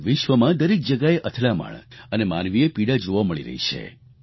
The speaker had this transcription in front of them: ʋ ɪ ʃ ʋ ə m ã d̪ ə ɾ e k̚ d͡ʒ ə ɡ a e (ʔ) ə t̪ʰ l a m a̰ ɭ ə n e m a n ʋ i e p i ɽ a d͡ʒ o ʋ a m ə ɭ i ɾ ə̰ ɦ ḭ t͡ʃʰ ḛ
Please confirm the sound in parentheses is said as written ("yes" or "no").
yes